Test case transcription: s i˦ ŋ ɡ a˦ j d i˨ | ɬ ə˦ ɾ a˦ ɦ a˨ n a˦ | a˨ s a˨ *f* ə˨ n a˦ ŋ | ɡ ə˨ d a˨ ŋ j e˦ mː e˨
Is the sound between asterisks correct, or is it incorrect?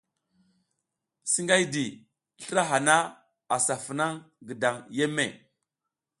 correct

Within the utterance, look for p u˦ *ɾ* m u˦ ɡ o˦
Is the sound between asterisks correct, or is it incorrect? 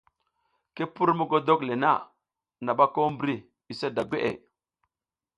correct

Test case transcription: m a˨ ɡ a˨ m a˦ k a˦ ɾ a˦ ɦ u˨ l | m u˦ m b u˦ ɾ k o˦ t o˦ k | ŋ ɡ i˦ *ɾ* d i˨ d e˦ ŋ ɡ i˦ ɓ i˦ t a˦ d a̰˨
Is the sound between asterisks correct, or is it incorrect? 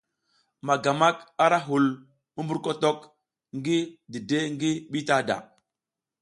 incorrect: none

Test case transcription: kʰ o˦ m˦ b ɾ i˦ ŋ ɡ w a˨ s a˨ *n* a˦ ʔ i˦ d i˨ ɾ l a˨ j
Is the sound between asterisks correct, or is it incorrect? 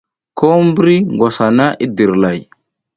correct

